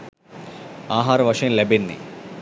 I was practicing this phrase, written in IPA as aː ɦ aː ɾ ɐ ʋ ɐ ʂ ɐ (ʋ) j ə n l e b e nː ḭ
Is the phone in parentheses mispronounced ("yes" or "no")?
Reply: yes